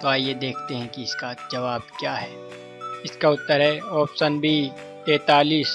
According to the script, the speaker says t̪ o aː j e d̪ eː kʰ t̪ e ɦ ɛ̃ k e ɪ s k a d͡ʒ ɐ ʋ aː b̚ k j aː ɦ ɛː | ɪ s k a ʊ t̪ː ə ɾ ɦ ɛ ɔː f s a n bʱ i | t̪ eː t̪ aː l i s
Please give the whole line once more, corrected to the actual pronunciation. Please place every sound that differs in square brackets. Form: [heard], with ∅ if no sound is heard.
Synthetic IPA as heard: t̪ o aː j e d̪ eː kʰ t̪ e ɦ ɛ̃ k [i] ɪ s k a d͡ʒ ɐ ʋ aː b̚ k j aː ɦ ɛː | ɪ s k a ʊ t̪ː ə ɾ ɦ ɛ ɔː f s [ə] n bʱ i | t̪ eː t̪ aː l [iː] s